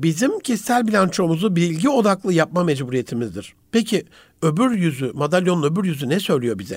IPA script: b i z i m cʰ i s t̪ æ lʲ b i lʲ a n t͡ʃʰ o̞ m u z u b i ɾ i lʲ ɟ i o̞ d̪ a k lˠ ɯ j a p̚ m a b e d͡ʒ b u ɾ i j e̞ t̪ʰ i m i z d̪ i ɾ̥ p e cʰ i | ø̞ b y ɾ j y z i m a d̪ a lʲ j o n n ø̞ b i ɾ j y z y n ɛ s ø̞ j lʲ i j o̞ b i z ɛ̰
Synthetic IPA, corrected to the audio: b i z i m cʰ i s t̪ æ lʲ b i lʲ a n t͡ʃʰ o̞ m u z u b i ɾ i lʲ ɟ i o̞ d̪ a k lˠ ɯ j a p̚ m a m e d͡ʒ b u ɾ i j e̞ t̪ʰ i m i z d̪ i ɾ̥ p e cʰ i | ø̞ b y ɾ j y z y m a d̪ a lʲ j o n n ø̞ b y ɾ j y z y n ɛ s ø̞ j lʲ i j o̞ b i z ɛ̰